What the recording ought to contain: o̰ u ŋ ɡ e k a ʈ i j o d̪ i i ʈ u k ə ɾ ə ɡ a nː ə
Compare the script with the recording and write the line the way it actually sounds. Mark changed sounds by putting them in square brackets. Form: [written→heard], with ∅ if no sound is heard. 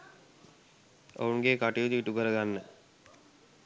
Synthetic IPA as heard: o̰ u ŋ ɡ e k a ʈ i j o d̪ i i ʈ u k ə ɾ ə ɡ a nː ə